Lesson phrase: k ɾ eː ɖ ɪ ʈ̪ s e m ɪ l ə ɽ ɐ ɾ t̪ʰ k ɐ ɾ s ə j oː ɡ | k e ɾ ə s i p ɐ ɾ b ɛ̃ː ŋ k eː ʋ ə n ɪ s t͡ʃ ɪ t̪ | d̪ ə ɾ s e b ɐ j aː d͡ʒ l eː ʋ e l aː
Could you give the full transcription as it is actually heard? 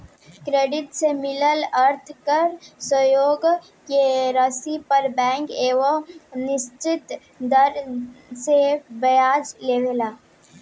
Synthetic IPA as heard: k ɾ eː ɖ ɪ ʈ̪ s e m ɪ l ə l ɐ ɾ t̪ʰ k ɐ ɾ s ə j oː ɡ | k e ɾ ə s i p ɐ ɾ b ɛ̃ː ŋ k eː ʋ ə n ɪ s t͡ʃ ɪ t̪ | d̪ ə ɾ s e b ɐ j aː d͡ʒ l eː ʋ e l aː